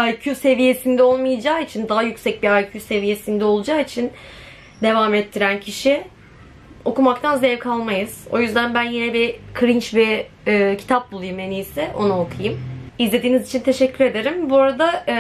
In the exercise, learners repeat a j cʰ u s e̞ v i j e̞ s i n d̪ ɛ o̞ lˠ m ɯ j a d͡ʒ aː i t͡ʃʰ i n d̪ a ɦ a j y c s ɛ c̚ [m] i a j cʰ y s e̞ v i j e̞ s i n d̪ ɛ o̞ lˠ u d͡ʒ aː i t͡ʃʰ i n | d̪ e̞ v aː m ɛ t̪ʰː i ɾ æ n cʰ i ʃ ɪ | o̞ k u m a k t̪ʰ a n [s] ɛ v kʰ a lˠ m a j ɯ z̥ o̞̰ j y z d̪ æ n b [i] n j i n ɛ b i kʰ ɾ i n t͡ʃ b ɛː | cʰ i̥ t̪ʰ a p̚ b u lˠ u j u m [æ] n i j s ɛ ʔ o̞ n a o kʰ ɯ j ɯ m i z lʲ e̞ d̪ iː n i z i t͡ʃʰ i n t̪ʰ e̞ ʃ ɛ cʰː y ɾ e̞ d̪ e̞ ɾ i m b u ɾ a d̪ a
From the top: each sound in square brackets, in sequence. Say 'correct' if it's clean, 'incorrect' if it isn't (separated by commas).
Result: incorrect, incorrect, incorrect, incorrect